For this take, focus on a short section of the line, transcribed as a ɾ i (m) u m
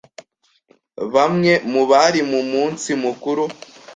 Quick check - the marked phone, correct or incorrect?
correct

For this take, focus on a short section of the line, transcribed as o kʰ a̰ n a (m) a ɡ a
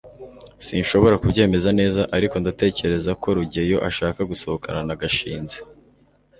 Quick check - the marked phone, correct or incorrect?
incorrect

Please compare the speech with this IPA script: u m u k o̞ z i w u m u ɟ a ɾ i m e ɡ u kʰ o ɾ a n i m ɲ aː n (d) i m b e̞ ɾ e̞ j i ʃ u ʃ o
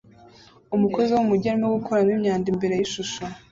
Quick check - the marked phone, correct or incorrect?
correct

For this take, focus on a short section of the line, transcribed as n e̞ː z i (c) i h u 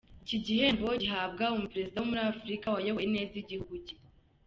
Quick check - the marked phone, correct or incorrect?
incorrect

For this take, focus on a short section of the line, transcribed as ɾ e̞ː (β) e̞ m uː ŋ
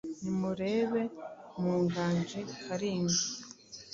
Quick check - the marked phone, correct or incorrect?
correct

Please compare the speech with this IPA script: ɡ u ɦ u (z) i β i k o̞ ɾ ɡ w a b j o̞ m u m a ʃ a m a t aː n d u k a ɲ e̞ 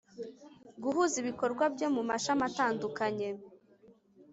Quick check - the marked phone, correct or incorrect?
correct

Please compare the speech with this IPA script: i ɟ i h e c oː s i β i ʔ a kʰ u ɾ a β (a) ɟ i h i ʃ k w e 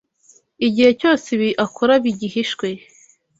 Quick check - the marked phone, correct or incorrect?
incorrect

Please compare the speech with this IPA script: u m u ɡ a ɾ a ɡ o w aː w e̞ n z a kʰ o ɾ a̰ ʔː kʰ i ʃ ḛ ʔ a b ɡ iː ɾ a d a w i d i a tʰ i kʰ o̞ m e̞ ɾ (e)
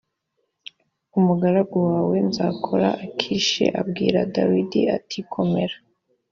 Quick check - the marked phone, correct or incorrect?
incorrect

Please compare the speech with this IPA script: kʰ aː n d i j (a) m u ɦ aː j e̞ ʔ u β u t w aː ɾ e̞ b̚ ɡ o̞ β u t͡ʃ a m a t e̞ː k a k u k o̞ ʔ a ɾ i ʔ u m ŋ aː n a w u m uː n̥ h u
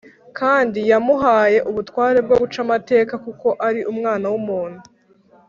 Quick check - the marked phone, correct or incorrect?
correct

